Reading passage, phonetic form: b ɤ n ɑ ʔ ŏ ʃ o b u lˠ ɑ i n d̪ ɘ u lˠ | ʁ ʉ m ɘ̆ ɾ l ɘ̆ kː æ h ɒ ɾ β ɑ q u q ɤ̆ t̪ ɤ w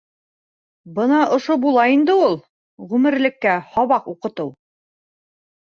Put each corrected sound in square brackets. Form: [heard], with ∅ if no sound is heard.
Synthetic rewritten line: b ɤ n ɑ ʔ ŏ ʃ o b u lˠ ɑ i n d̪ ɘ u lˠ | ʁ ʉ m ɘ̆ ɾ l ɘ̆ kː æ h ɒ [∅] β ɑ q u q ɤ̆ t̪ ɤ w